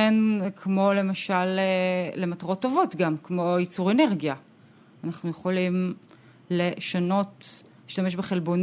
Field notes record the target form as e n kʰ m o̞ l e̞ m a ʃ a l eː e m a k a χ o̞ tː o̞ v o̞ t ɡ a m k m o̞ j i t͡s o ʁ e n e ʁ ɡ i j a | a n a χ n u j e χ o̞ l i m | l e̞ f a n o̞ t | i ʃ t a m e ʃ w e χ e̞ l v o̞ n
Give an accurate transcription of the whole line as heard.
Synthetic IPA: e n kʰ m o̞ l e̞ m a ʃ a l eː e m a t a ʁ o̞ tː o̞ v o̞ t ɡ a m k m o̞ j i t͡s u ʁ e n e ʁ ɡ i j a | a n a χ n u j e χ o̞ l i m | l e̞ ʃ a n o̞ t | i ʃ t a m e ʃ b e χ e̞ l b o̞ n